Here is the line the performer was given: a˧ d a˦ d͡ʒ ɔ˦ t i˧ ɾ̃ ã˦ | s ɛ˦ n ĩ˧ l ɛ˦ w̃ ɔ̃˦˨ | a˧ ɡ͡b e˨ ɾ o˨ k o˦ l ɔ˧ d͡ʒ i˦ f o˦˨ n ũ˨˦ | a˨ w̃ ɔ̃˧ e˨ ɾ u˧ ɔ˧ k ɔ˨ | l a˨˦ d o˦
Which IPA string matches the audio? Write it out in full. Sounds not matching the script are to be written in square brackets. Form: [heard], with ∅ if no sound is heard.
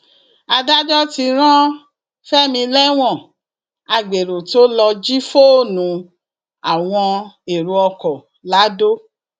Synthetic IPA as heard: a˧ d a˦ d͡ʒ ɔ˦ t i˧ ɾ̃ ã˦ | [f] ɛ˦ [m] ĩ˧ l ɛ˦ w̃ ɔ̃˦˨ | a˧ ɡ͡b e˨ ɾ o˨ [t] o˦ l ɔ˧ d͡ʒ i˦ f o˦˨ n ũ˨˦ | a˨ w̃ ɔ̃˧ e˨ ɾ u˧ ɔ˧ k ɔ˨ | l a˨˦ d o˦